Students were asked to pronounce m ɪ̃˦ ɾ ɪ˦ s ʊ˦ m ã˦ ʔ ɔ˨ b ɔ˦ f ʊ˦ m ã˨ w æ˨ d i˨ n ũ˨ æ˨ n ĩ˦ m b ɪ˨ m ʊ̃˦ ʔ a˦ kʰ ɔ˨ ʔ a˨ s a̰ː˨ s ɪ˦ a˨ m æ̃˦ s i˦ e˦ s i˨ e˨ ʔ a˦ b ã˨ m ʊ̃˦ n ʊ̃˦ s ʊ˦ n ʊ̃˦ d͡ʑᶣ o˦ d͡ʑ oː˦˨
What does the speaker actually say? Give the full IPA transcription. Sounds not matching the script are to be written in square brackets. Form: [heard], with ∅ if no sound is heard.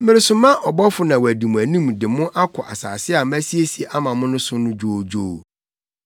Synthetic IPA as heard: m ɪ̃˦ ɾ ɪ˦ s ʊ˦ m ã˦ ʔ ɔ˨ b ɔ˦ f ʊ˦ [n] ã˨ w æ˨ d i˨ [m] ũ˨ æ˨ n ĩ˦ m [d] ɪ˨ m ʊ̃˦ ʔ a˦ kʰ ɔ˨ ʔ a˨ s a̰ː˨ s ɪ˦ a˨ m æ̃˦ s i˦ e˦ s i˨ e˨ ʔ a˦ [m] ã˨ m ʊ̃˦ n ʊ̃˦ s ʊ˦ n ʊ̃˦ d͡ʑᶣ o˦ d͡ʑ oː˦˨